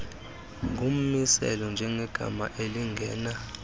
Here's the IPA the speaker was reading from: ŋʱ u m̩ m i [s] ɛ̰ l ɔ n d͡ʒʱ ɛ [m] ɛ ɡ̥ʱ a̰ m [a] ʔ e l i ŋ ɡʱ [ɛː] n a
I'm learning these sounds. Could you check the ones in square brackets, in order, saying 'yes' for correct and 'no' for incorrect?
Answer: yes, no, yes, yes

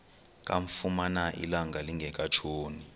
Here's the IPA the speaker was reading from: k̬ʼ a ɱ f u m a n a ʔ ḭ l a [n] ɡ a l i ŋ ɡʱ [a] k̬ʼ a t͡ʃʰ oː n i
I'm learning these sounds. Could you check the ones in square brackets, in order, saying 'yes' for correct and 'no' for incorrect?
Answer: no, no

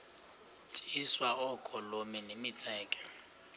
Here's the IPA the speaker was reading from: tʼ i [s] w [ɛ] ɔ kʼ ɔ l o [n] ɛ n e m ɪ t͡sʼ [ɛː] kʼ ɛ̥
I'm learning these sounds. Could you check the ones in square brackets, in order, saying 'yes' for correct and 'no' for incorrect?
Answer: yes, no, no, yes

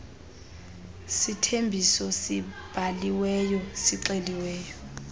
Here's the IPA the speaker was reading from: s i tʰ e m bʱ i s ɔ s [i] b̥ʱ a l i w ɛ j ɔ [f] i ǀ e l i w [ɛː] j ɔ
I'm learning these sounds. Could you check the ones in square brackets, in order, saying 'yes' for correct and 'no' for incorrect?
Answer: yes, no, yes

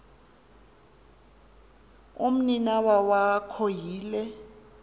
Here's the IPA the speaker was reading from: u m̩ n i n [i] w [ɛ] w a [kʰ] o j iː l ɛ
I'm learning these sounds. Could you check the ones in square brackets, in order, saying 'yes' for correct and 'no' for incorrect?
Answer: no, no, yes

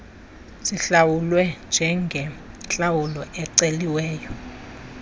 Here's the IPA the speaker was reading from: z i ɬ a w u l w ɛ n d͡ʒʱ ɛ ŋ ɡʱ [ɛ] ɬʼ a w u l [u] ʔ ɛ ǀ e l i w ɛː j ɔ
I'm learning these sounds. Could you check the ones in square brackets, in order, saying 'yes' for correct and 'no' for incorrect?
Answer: yes, no

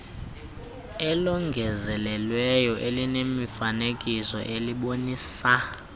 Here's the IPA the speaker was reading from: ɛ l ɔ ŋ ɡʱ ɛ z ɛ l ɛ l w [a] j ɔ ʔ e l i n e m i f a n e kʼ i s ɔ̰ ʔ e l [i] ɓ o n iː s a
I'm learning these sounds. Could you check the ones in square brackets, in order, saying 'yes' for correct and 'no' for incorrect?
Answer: no, yes

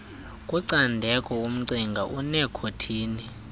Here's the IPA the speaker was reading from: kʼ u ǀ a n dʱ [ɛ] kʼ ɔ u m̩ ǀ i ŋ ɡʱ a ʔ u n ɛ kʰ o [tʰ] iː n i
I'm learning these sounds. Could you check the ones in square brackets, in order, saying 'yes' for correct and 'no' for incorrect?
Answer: yes, yes

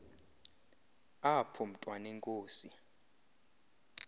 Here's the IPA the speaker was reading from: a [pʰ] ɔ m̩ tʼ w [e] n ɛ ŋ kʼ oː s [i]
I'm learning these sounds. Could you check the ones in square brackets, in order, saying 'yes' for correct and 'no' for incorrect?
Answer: yes, no, yes

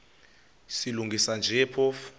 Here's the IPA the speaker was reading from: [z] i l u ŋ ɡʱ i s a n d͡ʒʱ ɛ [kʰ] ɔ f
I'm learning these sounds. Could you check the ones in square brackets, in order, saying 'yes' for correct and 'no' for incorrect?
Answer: no, no

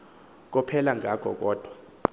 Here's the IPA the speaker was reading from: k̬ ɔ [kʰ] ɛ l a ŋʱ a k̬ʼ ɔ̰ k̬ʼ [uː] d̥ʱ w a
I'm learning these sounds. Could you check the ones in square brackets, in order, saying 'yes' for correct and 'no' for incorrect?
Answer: no, no

